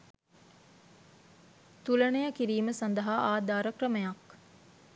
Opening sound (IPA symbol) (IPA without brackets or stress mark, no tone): t̪